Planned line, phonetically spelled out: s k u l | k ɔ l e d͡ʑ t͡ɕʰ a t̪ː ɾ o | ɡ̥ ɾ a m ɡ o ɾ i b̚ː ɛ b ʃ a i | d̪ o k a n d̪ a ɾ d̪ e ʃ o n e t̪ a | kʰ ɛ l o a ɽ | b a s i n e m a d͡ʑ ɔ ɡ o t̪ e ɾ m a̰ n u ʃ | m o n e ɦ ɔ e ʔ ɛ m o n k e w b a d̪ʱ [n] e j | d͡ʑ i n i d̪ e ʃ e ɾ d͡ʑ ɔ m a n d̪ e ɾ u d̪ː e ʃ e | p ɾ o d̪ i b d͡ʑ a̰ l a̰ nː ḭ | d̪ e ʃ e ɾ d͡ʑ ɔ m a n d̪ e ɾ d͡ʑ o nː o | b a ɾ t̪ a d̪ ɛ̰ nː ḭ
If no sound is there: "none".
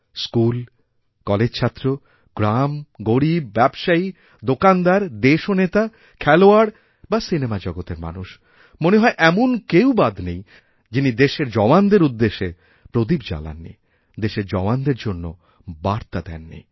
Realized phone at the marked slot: n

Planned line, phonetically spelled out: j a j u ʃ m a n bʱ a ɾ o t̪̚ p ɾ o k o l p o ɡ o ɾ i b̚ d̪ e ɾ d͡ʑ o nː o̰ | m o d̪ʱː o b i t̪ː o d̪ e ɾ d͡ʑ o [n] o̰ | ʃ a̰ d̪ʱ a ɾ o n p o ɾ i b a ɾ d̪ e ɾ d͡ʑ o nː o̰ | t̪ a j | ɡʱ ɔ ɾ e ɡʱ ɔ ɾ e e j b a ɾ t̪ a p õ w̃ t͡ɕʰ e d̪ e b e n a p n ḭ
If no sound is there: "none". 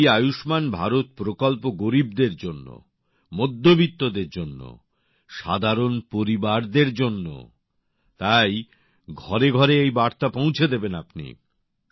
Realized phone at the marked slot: nː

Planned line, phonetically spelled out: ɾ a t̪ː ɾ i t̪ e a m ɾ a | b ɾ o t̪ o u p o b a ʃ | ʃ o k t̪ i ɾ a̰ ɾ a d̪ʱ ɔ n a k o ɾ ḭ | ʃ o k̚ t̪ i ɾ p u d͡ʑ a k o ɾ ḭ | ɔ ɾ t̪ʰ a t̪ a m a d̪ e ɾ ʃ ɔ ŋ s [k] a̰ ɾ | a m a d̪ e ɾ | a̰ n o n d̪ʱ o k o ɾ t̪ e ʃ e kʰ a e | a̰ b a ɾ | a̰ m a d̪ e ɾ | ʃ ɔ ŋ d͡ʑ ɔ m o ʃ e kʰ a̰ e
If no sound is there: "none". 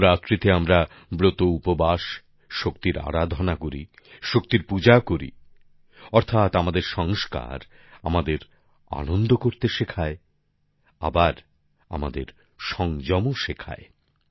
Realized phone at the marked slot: k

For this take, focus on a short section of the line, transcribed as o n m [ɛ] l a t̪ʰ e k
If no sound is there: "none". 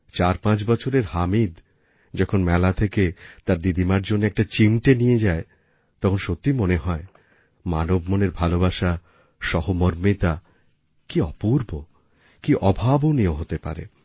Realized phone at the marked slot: ɛ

